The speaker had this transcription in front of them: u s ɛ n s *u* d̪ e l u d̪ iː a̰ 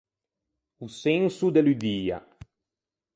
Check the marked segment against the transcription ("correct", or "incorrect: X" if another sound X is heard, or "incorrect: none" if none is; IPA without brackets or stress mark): correct